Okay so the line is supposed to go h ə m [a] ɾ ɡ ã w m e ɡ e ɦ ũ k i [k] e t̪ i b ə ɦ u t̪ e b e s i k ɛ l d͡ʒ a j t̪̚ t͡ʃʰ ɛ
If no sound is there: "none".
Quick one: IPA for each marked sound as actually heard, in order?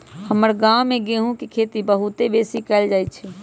ə, kʰ

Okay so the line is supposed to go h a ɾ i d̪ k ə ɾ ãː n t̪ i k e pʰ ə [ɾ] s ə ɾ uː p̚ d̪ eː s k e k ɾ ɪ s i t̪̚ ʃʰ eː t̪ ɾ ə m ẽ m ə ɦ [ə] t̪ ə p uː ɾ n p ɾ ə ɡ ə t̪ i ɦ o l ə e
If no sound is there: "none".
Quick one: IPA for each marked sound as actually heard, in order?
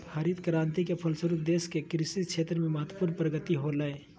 l, ə

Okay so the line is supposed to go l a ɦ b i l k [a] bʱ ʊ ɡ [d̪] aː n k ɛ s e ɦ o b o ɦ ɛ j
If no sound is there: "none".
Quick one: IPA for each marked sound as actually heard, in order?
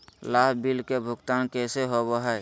e, t̪

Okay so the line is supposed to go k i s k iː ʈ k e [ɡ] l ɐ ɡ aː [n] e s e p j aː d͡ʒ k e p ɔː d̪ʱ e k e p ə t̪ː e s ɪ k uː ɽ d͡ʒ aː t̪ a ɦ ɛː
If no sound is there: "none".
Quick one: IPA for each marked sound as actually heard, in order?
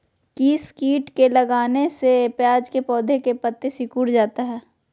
none, n

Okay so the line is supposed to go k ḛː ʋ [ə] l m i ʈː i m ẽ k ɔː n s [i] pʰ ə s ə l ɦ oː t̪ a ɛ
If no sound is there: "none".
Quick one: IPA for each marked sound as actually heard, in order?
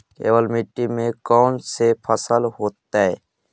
ə, e

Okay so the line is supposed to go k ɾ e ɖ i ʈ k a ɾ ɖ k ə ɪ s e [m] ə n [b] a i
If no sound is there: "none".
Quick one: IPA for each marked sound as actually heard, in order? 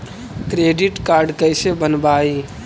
b, b

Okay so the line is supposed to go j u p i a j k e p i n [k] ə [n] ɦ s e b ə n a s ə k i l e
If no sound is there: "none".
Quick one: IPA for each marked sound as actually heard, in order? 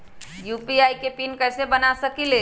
k, none

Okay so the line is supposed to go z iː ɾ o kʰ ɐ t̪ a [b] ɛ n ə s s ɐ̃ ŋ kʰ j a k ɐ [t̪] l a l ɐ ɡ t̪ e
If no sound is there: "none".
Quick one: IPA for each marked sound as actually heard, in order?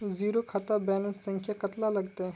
b, t̪

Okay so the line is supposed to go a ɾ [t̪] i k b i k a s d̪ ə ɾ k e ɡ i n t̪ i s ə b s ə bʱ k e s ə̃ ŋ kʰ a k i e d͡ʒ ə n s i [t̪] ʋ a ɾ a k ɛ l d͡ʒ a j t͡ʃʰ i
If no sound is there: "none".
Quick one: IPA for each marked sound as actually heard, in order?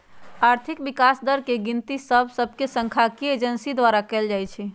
t̪ʰ, d̪

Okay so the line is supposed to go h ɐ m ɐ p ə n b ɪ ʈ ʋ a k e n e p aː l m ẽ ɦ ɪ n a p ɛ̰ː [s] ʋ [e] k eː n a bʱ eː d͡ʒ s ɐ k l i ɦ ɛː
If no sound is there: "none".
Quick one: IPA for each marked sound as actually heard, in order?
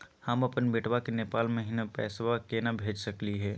s, a

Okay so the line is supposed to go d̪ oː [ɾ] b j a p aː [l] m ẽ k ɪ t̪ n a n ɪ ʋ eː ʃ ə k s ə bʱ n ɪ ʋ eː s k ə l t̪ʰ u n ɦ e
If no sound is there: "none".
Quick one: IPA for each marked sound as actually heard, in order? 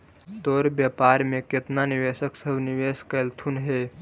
ɾ, ɾ

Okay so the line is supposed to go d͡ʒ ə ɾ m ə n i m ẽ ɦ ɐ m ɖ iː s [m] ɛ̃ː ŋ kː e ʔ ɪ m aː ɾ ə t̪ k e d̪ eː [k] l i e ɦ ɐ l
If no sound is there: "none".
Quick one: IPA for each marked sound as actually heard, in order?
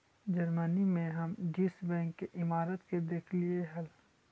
b, kʰ

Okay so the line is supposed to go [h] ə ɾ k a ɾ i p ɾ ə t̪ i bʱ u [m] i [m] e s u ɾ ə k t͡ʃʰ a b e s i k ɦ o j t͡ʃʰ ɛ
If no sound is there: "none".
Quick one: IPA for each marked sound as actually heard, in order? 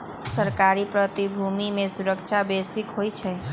s, m, m

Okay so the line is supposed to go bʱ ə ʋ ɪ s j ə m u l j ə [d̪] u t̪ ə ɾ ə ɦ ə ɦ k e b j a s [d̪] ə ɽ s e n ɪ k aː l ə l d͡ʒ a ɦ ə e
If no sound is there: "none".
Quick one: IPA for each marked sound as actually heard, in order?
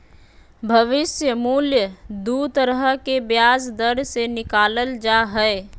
d̪, d̪

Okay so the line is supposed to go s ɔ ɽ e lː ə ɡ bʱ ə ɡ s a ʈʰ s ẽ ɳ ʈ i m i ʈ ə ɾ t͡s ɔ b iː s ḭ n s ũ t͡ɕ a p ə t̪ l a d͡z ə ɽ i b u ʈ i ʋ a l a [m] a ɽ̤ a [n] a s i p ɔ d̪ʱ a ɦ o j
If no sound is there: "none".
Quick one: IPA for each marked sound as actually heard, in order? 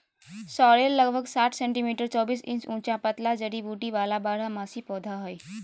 b, m

